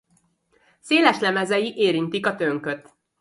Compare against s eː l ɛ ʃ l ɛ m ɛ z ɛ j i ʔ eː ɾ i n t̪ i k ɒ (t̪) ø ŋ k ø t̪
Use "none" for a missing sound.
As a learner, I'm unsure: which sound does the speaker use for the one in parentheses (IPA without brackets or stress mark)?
t̪